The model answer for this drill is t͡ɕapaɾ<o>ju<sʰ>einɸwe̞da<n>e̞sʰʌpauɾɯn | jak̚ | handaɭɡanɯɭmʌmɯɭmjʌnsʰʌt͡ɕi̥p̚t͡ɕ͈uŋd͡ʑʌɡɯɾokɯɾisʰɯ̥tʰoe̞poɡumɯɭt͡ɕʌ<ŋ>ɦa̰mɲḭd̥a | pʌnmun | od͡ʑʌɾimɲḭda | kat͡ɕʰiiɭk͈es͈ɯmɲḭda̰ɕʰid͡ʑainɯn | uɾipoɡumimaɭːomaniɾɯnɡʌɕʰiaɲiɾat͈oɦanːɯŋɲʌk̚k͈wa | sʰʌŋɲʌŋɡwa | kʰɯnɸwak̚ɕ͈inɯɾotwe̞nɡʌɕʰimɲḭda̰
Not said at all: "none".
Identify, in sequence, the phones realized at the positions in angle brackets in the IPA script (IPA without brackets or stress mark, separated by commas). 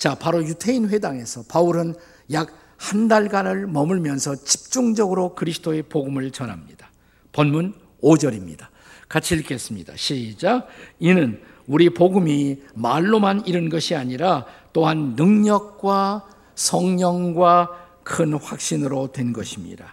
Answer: o, tʰ, ŋ, n